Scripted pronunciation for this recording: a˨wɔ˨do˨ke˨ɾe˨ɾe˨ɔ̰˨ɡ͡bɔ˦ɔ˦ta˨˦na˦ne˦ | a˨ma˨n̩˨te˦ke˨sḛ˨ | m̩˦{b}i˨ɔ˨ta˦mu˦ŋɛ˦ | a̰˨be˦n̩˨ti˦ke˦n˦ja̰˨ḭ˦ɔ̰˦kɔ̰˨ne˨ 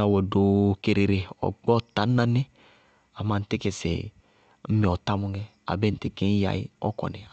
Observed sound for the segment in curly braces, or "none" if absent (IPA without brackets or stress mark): m